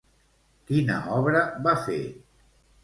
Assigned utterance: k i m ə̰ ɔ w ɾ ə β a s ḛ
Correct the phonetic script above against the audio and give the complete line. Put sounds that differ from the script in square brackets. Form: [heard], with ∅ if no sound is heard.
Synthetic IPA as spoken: k i [n] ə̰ ɔ [β] ɾ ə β a [f] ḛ